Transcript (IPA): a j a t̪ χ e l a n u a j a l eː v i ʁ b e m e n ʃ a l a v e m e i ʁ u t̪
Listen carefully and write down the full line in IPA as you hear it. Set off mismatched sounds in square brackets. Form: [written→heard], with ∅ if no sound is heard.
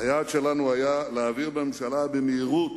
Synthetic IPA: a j a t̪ [χ→ʃ] e l a n u a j a l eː v i ʁ b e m e [n→m] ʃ a l a [v→b] e m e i ʁ u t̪

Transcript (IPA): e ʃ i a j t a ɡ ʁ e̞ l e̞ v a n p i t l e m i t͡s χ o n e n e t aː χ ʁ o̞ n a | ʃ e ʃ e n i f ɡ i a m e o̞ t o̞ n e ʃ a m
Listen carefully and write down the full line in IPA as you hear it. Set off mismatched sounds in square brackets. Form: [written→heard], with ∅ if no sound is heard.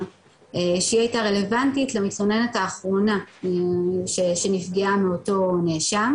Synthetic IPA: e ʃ i a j t a [ɡ→∅] ʁ e̞ l e̞ v a n [p→t] i t l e m i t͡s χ o n e n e t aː χ ʁ o̞ n a | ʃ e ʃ e n i f ɡ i a m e o̞ t o̞ n e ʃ a m

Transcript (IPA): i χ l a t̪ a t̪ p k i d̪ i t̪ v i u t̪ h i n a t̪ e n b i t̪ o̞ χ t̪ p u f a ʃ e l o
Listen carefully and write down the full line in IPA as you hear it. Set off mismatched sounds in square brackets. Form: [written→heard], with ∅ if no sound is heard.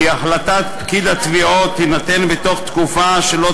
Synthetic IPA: [i→a] χ l a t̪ a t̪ p k i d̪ [i→a] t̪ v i [u→o] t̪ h i n a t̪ e n b [i→e] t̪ o̞ χ t̪ [p→k] u f a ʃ e l o

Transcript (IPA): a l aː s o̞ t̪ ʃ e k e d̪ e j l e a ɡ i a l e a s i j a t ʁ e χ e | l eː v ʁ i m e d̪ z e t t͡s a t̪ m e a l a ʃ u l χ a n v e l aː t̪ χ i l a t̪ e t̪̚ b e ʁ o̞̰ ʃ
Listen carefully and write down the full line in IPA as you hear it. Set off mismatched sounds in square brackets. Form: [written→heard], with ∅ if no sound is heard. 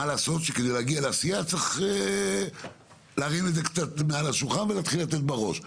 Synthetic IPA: a l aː s o̞ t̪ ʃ e k e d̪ e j l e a ɡ i a l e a s i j a [t→t͡s] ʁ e χ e | l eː [v→∅] ʁ i [m→n] e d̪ z e [t→k] t͡s a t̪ m e a l a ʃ u l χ a n v e l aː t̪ χ i l a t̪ e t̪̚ b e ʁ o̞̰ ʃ

